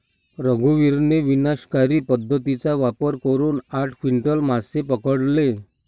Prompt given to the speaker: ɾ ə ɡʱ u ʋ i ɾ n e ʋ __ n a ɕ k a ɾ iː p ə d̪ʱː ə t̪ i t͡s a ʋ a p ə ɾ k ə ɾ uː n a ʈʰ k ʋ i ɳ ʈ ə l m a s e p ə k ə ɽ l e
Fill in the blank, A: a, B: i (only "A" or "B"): B